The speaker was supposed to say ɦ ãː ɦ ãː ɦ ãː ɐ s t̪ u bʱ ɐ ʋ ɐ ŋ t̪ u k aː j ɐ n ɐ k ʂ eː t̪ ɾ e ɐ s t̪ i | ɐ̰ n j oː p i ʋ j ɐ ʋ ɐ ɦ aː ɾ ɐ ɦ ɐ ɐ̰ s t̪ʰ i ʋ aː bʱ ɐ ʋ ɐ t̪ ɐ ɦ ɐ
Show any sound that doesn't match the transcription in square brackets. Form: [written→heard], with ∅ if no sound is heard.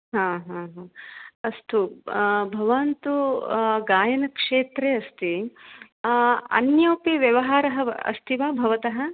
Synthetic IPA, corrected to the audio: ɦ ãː ɦ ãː ɦ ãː ɐ s t̪ u bʱ ɐ ʋ ɐ [ŋ→n] t̪ u [k→ɡ] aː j ɐ n ɐ k ʂ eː t̪ ɾ e ɐ s t̪ i | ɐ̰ n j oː p i ʋ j ɐ ʋ ɐ ɦ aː ɾ ɐ ɦ ɐ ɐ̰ s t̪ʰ i ʋ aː bʱ ɐ ʋ ɐ t̪ ɐ ɦ ɐ